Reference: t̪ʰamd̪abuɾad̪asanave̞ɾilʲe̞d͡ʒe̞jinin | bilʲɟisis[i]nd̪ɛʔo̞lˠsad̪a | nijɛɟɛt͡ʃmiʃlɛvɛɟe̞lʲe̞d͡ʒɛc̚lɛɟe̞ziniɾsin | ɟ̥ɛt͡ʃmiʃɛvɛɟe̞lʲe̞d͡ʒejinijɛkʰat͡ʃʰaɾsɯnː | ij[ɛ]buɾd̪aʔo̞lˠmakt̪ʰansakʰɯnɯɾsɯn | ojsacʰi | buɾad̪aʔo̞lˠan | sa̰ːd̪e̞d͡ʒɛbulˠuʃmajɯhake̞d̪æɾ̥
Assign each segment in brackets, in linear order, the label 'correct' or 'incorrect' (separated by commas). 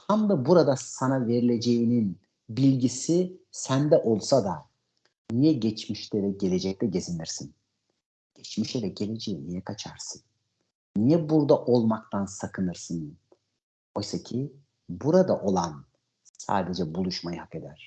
incorrect, correct